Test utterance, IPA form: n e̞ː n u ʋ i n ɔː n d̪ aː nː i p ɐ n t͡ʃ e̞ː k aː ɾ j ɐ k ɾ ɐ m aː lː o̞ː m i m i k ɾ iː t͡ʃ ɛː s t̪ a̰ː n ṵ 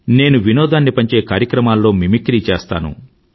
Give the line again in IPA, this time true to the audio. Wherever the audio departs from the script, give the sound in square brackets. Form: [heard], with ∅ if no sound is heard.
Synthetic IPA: n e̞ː n u ʋ i n ɔː [∅] d̪ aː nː i p ɐ [ɲ] t͡ʃ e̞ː k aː ɾ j ɐ k ɾ ɐ m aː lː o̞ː m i m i k ɾ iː t͡ʃ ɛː s t̪ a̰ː n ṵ